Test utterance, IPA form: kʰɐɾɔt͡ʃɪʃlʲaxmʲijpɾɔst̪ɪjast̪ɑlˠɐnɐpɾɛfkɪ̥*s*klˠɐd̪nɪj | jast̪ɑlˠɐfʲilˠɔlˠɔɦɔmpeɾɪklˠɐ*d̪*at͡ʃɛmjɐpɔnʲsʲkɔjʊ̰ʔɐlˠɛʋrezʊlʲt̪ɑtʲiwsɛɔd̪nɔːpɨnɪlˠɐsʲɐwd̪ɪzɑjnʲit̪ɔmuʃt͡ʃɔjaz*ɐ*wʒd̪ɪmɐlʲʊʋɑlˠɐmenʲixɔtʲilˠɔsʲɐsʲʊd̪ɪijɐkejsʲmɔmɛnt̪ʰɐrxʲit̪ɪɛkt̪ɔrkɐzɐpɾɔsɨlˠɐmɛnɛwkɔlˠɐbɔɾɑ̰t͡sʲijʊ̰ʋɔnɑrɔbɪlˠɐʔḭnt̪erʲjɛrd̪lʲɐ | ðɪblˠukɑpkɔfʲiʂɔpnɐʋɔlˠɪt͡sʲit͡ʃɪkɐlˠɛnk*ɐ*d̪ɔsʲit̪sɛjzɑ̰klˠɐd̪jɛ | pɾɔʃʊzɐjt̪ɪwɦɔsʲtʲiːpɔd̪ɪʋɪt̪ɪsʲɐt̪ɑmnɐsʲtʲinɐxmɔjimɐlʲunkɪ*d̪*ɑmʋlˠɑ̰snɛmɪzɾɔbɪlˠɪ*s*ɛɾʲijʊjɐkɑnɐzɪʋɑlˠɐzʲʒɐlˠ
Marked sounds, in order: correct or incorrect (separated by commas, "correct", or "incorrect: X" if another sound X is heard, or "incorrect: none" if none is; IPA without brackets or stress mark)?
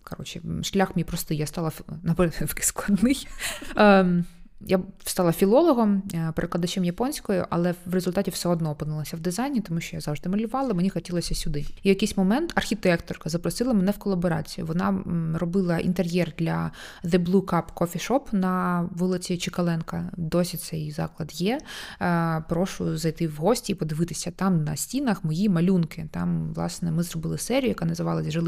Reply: correct, correct, incorrect: ɑ, correct, incorrect: t̪, correct